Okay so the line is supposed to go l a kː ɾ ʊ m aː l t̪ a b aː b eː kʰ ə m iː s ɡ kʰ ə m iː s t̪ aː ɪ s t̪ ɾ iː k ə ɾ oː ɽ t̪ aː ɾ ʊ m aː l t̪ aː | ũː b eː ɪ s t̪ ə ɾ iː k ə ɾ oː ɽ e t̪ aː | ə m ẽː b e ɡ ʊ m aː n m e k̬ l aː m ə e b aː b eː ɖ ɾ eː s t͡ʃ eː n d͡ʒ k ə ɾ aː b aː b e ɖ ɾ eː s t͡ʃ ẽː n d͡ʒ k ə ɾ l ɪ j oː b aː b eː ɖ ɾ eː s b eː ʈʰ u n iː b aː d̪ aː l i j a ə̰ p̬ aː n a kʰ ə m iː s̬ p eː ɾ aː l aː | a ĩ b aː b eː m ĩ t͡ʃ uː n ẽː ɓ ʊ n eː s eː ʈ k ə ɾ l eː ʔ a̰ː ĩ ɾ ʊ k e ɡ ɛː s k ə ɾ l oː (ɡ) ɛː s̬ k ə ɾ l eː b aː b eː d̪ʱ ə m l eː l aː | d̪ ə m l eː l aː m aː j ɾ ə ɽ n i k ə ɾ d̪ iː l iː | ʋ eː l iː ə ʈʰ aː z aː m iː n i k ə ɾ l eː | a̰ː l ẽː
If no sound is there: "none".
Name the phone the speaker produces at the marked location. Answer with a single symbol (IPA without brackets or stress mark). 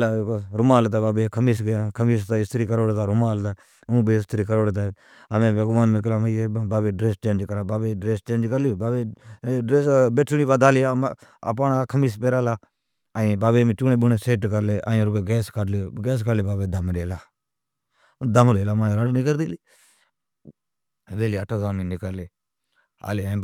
ɡ